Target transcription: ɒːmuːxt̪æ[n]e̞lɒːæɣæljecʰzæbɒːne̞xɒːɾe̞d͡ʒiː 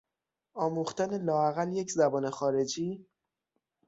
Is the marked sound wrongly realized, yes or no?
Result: no